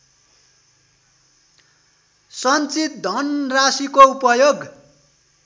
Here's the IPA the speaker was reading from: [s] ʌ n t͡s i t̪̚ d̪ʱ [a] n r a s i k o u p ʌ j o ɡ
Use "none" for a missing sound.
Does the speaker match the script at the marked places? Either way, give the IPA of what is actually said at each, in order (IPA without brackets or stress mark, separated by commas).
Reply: s, ʌ